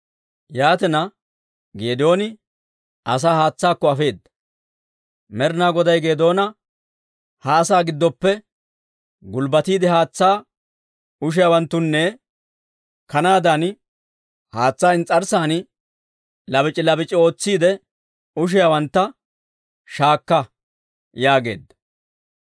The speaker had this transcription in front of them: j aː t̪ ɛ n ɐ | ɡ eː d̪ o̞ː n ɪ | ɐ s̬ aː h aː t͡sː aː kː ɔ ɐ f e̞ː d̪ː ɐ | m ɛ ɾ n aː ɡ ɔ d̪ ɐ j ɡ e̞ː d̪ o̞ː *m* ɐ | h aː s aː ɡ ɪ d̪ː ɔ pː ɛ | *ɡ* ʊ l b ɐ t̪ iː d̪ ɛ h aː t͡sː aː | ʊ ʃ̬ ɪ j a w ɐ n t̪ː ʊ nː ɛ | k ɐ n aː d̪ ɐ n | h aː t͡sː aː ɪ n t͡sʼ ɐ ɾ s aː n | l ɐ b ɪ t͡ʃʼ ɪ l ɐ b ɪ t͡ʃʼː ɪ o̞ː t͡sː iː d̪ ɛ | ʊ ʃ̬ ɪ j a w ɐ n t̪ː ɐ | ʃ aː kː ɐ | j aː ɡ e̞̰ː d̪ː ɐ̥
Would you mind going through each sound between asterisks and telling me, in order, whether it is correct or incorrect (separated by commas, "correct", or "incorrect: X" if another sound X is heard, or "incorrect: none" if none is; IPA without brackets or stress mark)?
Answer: incorrect: n, correct